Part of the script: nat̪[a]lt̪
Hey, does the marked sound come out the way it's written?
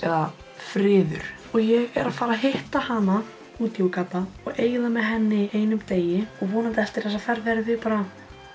no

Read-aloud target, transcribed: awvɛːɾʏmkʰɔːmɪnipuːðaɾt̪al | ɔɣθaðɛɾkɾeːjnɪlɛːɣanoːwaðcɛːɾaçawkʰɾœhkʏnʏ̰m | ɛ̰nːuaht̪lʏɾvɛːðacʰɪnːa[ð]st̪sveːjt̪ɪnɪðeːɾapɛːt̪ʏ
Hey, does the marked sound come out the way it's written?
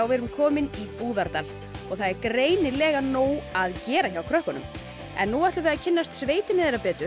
no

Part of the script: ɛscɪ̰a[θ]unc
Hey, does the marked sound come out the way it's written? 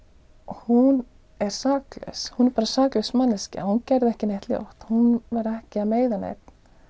no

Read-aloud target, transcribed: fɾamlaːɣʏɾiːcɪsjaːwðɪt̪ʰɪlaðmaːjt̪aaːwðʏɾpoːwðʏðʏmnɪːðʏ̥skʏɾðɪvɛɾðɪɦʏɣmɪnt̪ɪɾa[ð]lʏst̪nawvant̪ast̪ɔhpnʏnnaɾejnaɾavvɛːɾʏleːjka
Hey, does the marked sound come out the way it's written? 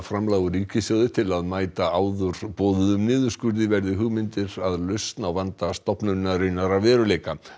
yes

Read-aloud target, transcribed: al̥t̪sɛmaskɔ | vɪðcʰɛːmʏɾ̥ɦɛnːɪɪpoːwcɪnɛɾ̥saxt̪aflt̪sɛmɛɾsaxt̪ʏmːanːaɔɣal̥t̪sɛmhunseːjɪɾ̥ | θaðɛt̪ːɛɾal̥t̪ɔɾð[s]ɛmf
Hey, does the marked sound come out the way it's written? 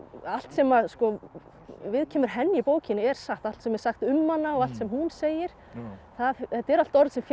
yes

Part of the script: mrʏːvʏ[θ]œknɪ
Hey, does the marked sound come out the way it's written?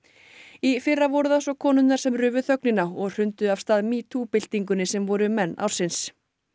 yes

